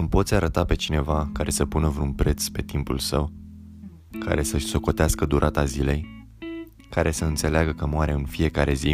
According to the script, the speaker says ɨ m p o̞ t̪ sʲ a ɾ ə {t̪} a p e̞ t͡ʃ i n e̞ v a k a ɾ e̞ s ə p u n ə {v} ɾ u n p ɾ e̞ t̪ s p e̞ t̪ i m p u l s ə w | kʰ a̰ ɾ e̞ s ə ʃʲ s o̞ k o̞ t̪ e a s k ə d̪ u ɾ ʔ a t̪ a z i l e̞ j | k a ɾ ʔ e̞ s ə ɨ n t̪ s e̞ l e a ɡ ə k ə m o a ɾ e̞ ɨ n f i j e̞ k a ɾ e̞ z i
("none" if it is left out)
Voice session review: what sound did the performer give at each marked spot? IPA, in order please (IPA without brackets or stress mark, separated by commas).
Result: t̪, v